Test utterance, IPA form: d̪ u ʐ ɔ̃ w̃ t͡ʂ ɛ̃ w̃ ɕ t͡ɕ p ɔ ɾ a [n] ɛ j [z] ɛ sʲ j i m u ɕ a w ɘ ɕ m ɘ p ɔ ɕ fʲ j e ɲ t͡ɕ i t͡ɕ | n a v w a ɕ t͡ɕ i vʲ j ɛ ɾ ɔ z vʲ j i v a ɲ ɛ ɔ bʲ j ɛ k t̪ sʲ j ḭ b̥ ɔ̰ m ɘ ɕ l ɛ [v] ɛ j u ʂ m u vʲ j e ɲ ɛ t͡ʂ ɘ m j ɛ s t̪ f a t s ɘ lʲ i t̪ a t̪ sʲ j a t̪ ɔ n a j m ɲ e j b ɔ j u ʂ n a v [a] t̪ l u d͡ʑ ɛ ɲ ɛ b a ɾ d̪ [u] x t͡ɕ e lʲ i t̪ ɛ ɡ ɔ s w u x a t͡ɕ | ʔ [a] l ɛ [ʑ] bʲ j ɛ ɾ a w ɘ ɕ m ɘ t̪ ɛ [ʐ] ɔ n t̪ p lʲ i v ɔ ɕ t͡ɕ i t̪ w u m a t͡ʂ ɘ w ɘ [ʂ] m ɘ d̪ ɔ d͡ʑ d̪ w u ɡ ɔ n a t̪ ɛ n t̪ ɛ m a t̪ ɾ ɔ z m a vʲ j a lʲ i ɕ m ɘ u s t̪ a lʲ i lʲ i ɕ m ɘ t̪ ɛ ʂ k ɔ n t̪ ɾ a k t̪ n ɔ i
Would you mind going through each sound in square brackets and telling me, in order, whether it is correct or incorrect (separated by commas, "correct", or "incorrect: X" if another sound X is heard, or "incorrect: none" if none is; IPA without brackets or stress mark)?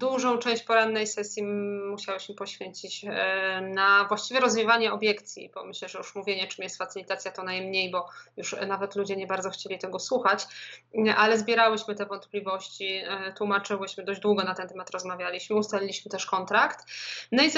incorrect: nː, incorrect: s, incorrect: ʐ, incorrect: ɛ, incorrect: ɔ, correct, incorrect: z, incorrect: v, incorrect: ɕ